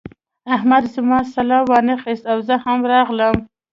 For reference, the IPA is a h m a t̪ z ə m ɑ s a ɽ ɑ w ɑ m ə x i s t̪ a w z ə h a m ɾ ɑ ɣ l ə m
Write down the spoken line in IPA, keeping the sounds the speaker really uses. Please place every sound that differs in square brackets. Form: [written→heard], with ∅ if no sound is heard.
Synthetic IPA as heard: a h m a [t̪→d̪] z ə m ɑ s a [ɽ→l] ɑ w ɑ [m→n] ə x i s t̪ a w z ə h a m ɾ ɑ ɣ l ə m